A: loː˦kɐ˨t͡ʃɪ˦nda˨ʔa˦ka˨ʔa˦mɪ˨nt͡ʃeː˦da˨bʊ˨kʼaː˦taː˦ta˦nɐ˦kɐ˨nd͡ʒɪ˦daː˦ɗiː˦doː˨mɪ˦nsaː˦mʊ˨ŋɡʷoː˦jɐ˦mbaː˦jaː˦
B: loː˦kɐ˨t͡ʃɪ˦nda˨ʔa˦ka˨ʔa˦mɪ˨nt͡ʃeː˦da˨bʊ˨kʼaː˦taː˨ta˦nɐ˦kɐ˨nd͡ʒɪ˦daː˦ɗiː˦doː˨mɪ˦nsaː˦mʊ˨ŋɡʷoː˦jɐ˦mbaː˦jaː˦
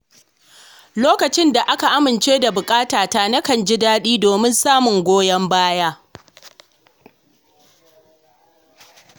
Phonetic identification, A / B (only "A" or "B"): B